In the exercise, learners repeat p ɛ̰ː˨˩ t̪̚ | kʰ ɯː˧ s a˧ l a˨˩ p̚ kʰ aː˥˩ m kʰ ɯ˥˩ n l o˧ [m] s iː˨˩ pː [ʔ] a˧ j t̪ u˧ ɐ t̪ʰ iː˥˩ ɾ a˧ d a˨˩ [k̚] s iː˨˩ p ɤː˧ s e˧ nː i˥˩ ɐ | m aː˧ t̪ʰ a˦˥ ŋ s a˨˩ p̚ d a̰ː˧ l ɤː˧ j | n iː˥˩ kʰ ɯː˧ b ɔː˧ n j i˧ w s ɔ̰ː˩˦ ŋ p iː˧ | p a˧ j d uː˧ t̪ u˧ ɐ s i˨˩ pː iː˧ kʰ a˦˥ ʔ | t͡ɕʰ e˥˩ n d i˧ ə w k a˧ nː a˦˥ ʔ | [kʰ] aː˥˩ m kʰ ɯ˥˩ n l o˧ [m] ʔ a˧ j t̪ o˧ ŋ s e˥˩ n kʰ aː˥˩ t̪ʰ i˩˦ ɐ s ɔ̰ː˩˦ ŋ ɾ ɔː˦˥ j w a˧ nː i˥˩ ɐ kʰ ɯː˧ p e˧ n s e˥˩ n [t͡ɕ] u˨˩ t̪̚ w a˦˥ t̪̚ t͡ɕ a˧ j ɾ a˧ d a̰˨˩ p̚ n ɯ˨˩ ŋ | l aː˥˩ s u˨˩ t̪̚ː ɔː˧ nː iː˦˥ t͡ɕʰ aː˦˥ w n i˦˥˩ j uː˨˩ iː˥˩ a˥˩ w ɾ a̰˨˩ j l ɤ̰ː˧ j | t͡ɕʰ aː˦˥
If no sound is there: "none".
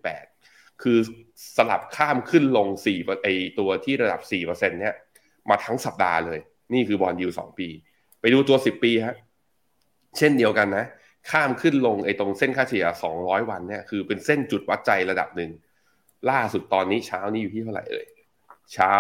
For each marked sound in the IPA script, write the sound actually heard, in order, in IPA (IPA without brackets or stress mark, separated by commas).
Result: ŋ, ʔ, p̚, kʰ, ŋ, t͡ɕ